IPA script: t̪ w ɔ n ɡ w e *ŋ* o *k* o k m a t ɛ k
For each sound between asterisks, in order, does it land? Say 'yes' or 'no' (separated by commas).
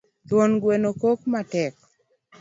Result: no, yes